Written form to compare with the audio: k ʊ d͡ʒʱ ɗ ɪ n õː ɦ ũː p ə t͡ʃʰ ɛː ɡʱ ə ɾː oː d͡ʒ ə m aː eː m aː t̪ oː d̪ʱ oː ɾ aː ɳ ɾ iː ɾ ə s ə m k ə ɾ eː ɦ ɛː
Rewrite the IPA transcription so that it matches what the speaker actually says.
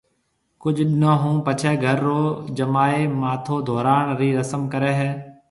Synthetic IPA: k ʊ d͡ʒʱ ɗ ɪ n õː ɦ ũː p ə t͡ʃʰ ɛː ɡʱ ə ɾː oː d͡ʒ ə m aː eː m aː t̪ʰ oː d̪ʱ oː ɾ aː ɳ ɾ iː ɾ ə s ə m k ə ɾ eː ɦ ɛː